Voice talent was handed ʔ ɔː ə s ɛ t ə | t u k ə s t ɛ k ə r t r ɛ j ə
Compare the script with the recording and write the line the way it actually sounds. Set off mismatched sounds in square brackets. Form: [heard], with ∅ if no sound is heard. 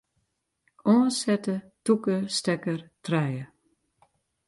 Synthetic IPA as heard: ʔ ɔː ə s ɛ t ə | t u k ə s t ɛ k ə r t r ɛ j ə